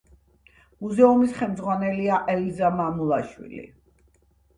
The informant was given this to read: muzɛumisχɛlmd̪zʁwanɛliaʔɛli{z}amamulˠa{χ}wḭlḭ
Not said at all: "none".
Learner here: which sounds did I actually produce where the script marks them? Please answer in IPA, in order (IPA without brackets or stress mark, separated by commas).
z, ʃ